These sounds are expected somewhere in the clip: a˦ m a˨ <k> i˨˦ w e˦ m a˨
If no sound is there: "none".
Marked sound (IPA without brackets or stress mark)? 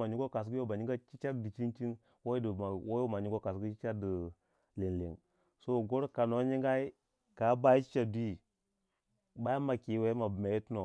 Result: k